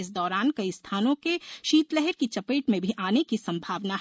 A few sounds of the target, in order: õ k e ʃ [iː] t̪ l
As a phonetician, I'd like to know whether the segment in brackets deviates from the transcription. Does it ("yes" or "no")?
no